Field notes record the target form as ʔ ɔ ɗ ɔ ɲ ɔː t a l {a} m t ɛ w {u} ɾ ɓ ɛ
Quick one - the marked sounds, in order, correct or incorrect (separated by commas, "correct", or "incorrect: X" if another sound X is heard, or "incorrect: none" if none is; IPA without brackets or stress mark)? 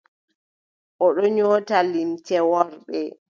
incorrect: i, incorrect: ɔ